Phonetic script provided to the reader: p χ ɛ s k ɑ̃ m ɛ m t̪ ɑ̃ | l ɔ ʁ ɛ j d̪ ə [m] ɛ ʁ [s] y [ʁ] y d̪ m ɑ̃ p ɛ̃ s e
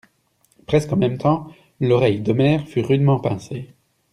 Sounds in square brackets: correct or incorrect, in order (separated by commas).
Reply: correct, incorrect, correct